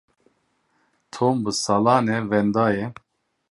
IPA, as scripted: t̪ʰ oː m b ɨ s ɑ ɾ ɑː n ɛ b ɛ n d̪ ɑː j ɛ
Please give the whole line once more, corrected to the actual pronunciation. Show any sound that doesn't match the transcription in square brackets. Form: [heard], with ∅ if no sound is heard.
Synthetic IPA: t̪ʰ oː m b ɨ s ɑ [l] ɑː n ɛ [v] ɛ n d̪ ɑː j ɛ